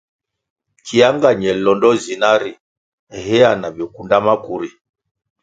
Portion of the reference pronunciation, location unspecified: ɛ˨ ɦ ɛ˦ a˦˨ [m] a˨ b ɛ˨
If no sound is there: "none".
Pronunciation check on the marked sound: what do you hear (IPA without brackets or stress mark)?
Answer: n